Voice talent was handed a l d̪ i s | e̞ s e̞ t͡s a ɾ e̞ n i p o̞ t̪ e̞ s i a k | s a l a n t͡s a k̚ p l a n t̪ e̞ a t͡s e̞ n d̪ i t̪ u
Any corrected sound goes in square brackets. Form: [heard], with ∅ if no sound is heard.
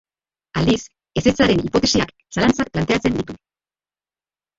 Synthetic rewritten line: a l d̪ i s | e̞ s e̞ t͡s a ɾ e̞ n i p o̞ t̪ e̞ s i a k | s a l a n t͡s a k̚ p l a n t̪ e̞ a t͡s e̞ n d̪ i t̪ u